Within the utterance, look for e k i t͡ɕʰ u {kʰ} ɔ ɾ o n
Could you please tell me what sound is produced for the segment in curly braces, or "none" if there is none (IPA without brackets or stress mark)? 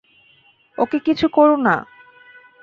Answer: k